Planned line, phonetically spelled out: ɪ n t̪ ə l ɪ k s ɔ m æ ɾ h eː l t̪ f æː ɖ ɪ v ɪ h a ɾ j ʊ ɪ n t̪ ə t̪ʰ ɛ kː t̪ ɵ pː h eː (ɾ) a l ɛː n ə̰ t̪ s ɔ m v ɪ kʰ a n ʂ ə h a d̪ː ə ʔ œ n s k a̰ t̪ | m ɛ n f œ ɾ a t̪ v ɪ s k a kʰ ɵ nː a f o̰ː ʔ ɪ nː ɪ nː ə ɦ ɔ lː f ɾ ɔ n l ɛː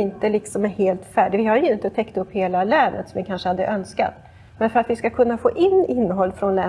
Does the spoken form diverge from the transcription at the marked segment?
yes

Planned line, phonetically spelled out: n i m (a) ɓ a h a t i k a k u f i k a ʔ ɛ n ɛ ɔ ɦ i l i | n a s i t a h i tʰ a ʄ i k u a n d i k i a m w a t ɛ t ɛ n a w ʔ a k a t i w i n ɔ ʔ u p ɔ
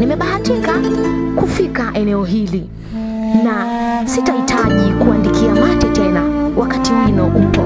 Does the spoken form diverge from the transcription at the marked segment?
yes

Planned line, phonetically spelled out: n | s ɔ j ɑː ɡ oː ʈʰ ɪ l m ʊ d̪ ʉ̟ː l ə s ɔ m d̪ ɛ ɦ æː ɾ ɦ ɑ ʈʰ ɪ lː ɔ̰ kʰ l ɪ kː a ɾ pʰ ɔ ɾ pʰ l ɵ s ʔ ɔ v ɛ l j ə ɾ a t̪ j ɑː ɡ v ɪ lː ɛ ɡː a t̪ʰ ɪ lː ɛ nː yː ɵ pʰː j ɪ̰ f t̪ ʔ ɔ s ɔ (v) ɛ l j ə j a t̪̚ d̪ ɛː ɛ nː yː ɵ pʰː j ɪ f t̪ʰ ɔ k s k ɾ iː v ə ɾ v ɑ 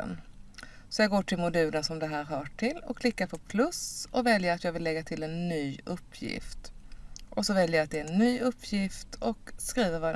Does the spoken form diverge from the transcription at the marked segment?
no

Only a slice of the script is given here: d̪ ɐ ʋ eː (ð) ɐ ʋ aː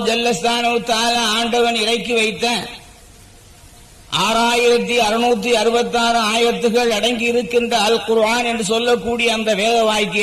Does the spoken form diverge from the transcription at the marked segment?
no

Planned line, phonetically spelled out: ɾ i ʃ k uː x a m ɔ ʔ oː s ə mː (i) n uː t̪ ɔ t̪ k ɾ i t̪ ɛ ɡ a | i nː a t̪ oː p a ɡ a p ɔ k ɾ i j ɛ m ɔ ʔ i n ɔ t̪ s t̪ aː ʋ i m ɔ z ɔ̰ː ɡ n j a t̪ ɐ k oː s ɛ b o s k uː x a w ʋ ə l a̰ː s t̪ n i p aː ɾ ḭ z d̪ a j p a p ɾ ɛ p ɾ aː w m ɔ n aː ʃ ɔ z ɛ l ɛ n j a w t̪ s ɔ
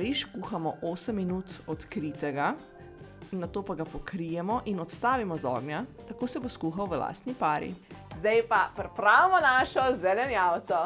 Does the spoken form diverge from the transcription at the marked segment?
no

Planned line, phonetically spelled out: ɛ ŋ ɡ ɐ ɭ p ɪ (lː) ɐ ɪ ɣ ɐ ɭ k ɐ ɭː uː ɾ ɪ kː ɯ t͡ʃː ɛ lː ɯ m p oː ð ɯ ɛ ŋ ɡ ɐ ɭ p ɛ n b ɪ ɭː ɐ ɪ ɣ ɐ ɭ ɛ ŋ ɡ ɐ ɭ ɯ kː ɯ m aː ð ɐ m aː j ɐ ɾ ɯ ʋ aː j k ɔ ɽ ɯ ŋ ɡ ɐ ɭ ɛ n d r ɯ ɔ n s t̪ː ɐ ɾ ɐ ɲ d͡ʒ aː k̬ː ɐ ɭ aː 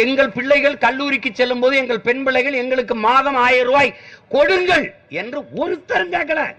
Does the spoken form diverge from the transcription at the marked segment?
yes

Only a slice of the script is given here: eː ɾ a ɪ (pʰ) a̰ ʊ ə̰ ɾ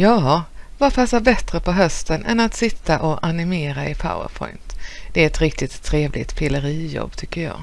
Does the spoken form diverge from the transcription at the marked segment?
no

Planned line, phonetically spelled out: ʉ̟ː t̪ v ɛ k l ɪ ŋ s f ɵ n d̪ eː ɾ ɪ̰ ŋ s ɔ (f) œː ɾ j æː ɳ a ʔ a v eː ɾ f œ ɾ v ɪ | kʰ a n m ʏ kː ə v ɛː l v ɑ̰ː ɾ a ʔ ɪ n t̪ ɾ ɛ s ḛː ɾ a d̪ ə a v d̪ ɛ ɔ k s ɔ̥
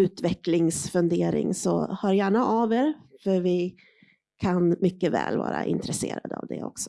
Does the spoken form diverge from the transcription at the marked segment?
yes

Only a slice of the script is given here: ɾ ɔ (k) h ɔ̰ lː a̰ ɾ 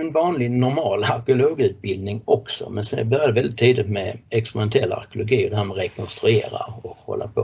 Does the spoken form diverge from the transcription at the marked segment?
no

